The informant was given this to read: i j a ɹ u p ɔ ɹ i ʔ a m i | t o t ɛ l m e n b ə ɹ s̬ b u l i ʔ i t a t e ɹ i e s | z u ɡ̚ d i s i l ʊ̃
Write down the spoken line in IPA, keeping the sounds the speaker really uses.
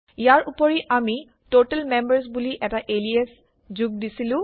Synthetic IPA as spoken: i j a ɹ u p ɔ ɹ i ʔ a m i | t o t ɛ l m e m b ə ɹ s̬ b u l i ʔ ɛ t a ʔ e l i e s | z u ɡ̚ d i s i l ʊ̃